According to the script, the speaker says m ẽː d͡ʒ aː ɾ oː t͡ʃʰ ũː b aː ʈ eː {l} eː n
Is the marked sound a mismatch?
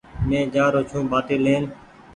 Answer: no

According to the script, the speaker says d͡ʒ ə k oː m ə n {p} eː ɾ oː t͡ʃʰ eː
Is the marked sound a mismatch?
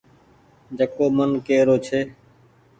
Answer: yes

